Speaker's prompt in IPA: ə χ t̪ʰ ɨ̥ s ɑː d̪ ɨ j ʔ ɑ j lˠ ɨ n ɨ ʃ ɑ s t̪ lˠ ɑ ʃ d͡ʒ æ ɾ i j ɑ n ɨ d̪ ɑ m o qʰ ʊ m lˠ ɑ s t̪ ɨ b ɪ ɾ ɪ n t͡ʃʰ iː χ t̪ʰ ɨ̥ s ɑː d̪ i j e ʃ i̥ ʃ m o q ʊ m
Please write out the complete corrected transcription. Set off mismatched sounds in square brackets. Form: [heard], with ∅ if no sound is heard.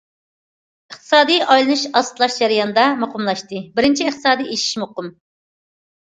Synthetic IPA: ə χ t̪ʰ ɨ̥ s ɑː d̪ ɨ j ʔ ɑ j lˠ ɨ n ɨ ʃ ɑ s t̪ lˠ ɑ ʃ d͡ʒ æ ɾ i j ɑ n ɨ d̪ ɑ m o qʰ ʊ m lˠ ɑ [ʃ] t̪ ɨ b ɪ ɾ ɪ n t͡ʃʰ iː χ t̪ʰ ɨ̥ s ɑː d̪ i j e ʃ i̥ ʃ m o q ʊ m